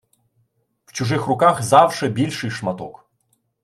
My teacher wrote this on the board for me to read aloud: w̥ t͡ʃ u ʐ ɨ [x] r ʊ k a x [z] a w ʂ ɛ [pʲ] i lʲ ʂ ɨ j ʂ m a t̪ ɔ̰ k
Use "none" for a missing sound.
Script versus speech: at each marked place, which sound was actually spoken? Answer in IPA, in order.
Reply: x, z, bʲ

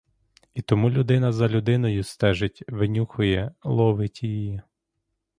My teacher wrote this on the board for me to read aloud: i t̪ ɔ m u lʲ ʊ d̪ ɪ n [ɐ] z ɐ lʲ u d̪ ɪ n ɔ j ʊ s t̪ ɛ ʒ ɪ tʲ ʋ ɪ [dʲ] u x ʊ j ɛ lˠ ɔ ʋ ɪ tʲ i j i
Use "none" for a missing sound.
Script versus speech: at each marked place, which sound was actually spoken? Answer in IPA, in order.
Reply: ɐ, nʲ

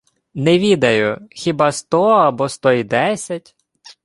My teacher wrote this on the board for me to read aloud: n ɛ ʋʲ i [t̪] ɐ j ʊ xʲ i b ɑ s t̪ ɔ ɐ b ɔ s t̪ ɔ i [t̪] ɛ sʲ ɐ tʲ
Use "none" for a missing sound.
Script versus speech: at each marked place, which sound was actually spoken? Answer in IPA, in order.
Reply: d̪, d̪

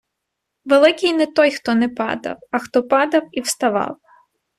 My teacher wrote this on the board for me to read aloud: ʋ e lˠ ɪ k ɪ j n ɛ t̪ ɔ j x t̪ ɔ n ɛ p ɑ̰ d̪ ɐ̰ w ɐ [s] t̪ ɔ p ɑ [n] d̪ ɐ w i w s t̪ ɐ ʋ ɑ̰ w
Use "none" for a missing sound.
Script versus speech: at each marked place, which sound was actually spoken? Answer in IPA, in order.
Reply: x, none

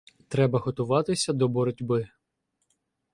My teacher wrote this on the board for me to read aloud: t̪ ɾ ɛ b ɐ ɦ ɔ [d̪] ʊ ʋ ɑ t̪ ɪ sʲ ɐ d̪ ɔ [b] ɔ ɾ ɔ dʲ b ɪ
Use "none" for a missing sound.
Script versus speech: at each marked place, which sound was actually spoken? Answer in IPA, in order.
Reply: t̪, b

